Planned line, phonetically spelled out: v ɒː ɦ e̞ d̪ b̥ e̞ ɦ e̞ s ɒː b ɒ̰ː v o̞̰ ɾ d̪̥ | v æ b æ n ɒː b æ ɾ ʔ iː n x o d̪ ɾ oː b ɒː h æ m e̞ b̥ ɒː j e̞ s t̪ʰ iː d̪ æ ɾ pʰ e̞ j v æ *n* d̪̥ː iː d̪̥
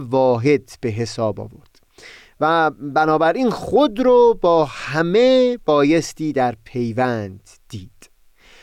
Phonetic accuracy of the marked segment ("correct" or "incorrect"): correct